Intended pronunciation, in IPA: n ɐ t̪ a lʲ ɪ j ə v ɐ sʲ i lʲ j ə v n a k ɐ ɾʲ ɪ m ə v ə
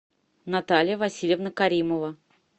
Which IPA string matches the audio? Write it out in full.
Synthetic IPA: n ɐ t̪ a lʲ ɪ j ə v ɐ sʲ i lʲ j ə v n ə k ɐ ɾʲ i m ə v ə